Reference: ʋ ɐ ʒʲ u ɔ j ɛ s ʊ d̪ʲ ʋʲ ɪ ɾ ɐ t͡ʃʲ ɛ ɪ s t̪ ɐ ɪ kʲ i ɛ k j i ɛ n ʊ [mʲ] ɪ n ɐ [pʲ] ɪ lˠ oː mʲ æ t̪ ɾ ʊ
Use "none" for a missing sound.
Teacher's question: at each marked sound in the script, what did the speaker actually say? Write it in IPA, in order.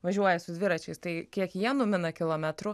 mʲ, kʲ

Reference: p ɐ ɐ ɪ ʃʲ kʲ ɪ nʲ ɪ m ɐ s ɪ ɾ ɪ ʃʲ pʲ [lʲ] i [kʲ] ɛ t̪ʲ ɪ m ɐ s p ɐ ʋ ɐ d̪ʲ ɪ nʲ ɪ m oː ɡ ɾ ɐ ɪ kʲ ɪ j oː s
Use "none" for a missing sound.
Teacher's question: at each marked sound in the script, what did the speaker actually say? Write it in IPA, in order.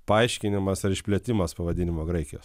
lʲ, none

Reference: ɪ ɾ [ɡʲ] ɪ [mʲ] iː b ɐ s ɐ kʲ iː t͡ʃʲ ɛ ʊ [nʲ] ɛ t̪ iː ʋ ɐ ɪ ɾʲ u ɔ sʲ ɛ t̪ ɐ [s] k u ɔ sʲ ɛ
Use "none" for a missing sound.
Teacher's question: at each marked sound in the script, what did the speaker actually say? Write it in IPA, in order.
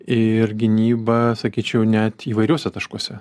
ɡʲ, nʲ, nʲ, ʃ

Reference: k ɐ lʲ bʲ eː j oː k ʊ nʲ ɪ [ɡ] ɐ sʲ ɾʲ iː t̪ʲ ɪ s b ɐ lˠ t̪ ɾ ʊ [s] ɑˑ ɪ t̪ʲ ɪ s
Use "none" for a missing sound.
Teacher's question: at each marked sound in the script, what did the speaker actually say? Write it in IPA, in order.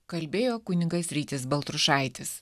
ɡ, ʃ

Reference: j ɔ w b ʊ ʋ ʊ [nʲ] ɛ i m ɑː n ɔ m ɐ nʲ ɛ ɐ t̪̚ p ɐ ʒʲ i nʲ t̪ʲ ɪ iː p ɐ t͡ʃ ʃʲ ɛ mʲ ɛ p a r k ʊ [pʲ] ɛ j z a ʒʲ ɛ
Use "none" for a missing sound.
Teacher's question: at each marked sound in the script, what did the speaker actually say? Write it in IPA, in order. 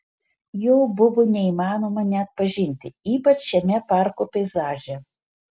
nʲ, pʲ

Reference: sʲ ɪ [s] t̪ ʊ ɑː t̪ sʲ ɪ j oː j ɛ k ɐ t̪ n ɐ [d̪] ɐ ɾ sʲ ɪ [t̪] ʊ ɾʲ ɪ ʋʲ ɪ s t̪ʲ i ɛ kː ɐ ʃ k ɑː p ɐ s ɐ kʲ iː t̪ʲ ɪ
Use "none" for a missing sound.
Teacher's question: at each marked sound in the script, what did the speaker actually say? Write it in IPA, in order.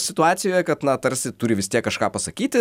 none, t̪, t̪

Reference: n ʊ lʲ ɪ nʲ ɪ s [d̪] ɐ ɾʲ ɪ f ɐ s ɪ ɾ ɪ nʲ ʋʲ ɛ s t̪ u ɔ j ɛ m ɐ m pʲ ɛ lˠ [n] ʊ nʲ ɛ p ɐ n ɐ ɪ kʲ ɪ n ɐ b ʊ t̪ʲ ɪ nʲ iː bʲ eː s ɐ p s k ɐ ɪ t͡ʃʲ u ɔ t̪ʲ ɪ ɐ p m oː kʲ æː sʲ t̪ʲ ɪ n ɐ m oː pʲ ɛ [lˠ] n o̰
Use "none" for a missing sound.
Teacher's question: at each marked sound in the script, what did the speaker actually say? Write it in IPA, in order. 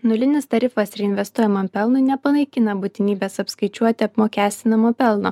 t̪, n, lˠ

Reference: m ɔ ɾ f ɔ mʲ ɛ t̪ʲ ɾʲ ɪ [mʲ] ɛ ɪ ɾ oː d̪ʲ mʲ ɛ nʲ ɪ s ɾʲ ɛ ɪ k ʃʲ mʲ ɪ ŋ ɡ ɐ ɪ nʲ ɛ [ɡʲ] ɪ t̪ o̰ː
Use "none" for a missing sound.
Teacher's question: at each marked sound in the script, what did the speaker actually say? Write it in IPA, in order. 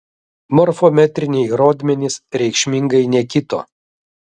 nʲ, kʲ

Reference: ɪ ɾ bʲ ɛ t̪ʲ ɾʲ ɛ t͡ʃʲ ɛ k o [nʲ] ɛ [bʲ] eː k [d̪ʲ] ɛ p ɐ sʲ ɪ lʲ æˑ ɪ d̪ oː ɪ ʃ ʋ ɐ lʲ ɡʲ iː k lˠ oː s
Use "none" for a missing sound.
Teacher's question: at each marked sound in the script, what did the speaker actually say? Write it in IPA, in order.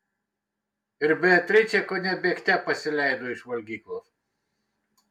nʲ, bʲ, t̪ʲ

